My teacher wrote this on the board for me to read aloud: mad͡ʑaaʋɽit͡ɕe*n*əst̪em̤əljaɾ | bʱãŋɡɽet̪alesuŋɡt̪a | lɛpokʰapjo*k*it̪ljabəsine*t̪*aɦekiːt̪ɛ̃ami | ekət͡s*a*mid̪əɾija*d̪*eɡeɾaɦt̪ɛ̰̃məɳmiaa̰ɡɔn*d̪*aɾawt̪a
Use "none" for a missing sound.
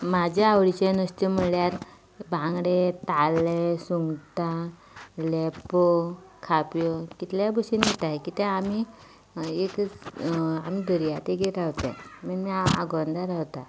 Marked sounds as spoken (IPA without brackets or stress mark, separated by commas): n, k, t̪, a, t̪, d̪